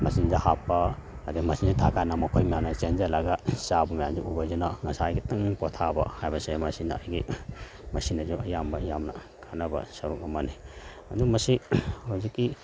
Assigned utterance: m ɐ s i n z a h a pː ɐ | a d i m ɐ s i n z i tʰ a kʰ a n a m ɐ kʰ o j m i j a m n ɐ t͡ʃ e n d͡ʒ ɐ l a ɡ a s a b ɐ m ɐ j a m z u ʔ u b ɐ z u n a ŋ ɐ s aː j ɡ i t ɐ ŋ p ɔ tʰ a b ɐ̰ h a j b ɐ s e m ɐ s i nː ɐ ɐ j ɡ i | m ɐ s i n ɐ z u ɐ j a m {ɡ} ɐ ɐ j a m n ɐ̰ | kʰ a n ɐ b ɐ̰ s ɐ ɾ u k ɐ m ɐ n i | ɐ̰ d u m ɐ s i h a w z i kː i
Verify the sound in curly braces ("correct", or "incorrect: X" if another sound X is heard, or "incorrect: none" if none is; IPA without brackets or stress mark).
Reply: incorrect: b